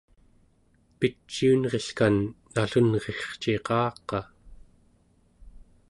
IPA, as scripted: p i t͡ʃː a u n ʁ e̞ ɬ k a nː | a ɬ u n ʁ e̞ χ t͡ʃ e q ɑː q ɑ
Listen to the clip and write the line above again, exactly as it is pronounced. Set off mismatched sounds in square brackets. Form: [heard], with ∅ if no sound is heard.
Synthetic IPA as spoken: p i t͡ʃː [i] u n ʁ e̞ ɬ k a nː | a ɬ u n ʁ e̞ χ t͡ʃ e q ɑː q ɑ